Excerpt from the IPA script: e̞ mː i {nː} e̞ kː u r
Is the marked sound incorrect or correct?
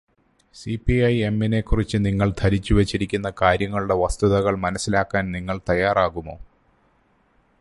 incorrect: n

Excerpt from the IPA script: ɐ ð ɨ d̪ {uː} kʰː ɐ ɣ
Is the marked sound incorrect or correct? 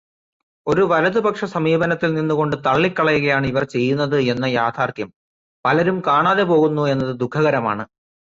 incorrect: u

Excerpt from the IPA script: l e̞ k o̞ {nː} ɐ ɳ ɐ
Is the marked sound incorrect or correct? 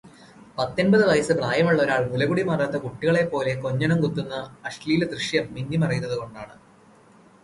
incorrect: ɲː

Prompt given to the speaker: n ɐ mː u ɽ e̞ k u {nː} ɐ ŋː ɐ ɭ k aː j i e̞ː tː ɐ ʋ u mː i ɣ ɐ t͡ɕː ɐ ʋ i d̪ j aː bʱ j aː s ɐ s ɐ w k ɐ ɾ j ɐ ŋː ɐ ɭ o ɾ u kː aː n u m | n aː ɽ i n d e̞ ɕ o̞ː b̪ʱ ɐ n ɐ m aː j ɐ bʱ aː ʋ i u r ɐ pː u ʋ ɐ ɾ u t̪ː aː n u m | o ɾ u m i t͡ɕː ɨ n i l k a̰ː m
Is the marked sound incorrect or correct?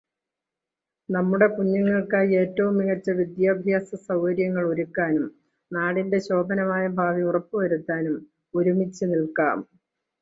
incorrect: ɲː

